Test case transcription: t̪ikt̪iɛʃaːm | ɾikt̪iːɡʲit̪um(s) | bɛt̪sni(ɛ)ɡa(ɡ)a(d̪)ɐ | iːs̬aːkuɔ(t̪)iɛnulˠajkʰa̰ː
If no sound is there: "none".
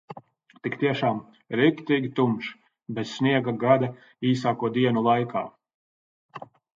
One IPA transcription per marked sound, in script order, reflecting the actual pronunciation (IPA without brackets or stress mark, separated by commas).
ʃ, ɛ, ɡ, d̪, d̪